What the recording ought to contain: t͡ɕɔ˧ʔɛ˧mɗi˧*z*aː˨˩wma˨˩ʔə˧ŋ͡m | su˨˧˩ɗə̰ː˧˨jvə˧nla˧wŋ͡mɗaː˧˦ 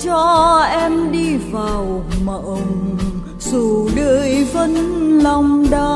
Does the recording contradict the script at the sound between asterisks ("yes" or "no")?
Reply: yes